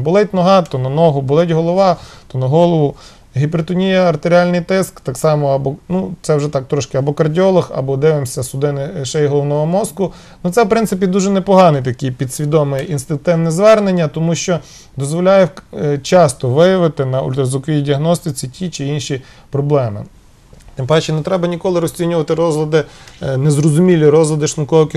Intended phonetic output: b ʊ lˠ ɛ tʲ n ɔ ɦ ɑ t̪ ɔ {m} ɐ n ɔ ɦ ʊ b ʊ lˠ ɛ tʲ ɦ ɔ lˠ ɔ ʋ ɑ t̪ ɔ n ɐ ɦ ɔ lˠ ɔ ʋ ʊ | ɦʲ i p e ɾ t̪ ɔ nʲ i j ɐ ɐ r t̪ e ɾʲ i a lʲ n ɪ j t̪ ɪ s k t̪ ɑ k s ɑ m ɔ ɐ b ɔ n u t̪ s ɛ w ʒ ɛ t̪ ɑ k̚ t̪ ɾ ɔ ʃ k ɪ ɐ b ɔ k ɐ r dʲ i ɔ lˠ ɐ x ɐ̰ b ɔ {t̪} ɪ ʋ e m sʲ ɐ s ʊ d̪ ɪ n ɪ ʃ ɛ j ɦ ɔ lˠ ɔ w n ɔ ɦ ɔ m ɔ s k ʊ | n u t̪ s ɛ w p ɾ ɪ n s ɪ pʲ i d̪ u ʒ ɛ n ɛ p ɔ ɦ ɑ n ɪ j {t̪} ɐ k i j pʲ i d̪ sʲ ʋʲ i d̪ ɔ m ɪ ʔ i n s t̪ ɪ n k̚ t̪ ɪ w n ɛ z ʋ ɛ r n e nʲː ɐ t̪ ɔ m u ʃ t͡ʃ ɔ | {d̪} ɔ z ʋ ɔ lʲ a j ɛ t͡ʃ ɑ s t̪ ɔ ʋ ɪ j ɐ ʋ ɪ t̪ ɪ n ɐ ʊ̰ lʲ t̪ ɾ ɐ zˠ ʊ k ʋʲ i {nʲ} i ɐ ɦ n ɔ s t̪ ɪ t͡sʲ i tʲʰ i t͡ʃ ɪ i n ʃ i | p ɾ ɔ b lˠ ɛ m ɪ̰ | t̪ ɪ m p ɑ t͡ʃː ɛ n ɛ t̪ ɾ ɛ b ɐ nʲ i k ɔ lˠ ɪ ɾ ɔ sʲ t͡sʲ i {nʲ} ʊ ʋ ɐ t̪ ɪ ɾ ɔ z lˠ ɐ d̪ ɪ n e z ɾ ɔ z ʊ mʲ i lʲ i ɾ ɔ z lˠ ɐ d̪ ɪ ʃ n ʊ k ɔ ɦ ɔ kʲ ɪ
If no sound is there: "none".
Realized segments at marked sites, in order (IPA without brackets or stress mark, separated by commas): n, d̪, t̪, d̪, dʲ, nʲ